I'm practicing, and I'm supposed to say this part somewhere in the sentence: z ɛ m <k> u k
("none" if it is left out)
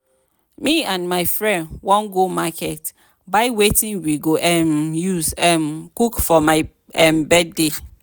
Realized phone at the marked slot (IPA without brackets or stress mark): k